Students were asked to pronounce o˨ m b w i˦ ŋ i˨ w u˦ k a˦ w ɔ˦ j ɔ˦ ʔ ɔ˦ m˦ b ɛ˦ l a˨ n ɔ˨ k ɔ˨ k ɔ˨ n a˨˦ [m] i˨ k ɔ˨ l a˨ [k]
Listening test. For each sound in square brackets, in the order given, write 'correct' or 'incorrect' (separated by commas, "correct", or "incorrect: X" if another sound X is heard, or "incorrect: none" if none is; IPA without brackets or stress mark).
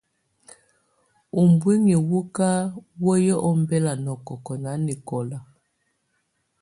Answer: incorrect: n, incorrect: none